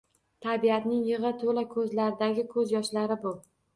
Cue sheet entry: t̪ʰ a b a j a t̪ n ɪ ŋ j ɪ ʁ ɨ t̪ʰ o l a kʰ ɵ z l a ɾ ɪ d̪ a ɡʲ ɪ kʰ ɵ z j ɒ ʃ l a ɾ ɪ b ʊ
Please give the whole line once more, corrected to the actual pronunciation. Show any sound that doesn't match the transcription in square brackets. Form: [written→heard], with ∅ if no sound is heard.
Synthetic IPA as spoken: t̪ʰ a b [a→i] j a t̪ n ɪ ŋ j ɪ ʁ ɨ t̪ʰ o l a kʰ ɵ z l a ɾ ɪ d̪ a ɡʲ ɪ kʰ ɵ z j ɒ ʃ l a ɾ ɪ b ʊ